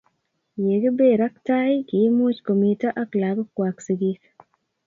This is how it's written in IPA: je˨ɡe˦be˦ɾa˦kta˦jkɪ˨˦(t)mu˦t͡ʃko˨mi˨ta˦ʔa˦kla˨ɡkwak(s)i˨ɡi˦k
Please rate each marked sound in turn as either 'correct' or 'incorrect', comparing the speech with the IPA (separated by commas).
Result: incorrect, correct